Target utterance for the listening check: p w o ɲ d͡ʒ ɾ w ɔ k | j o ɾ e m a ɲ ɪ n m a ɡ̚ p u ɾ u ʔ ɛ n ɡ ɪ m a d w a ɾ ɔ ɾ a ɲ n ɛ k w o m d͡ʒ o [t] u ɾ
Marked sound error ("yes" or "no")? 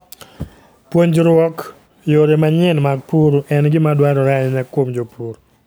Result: yes